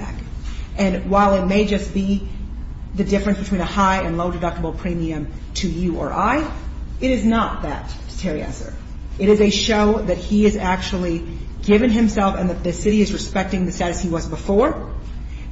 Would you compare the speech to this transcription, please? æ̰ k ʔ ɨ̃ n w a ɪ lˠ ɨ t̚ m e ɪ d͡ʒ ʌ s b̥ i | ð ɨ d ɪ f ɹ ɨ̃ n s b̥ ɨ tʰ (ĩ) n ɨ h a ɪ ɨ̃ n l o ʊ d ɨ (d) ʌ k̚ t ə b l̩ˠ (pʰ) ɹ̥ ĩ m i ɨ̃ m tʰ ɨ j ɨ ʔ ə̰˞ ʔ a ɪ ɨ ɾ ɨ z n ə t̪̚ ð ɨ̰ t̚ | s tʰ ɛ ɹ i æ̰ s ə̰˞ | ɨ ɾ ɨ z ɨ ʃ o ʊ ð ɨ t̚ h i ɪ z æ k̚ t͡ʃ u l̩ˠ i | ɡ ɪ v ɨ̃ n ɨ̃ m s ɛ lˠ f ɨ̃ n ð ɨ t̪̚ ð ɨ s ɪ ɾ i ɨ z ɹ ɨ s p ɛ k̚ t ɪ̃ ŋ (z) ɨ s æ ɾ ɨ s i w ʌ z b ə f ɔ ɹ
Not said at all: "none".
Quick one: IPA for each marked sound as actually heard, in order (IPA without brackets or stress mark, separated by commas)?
ĩ, d, pʰ, ð